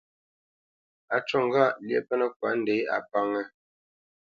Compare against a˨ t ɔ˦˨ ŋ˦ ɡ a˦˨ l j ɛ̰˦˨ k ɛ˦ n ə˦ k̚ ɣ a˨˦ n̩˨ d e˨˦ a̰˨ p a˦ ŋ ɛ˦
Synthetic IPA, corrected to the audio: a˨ t͡ʃ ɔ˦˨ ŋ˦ ɡ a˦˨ l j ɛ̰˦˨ p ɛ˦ n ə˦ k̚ w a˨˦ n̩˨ d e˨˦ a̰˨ p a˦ ŋ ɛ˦